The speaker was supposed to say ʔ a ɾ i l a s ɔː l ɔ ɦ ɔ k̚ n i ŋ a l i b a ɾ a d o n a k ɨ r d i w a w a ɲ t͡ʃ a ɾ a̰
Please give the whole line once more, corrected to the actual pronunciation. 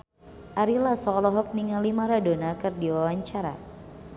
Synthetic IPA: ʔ a ɾ i l a s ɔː l ɔ ɦ ɔ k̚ n i ŋ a l i m a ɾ a d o n a k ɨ r d i w a w a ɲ t͡ʃ a ɾ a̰

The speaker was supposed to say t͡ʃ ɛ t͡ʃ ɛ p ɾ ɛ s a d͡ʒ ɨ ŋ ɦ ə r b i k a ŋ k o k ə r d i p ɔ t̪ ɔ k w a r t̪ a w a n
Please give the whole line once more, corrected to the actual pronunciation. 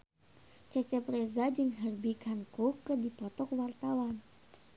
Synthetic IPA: t͡ʃ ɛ t͡ʃ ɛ p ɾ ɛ z a d͡ʒ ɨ ŋ ɦ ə r b i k a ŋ k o k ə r d i p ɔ t̪ ɔ k w a r t̪ a w a n

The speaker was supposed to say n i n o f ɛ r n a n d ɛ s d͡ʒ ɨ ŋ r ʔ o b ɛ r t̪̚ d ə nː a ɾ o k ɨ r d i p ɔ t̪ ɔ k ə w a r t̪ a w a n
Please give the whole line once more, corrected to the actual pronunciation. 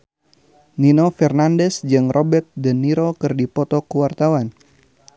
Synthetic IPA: n i n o f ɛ r n a n d ɛ s d͡ʒ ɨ ŋ r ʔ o b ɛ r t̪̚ d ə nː i ɾ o k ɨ r d i p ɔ t̪ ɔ k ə w a r t̪ a w a n

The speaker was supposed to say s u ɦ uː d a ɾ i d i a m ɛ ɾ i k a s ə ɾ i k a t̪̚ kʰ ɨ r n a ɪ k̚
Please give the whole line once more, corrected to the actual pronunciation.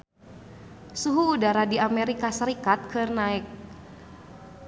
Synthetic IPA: s u ɦ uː d a ɾ a d i a m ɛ ɾ i k a s ə ɾ i k a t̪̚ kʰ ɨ r n a ɪ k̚

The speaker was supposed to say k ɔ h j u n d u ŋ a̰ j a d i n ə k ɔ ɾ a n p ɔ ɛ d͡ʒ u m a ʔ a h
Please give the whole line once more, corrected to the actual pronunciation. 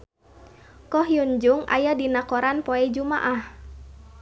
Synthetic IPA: k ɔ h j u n d͡ʒ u ŋ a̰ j a d i n a k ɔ ɾ a n p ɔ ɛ d͡ʒ u m a ʔ a h

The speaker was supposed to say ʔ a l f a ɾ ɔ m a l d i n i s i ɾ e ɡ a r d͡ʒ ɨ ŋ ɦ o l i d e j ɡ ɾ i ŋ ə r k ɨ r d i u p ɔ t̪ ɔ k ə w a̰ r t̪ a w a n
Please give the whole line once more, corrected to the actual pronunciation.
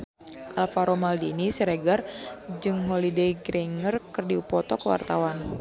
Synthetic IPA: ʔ a l f a ɾ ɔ m a l d i n i s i ɾ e ɡ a r d͡ʒ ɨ ŋ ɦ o l i d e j ɡ ɾ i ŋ ə r k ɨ r d i u p ɔ t̪ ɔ k ə w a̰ r t̪ a w a n

